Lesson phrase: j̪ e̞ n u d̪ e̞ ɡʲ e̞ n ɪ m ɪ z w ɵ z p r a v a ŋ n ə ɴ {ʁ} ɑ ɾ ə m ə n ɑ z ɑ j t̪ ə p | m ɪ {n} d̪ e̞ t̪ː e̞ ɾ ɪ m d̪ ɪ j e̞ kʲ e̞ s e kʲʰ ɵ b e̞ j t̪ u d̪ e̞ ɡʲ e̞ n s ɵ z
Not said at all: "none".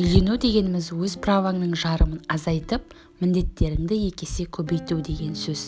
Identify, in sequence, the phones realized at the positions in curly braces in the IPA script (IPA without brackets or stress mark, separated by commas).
ʒ, n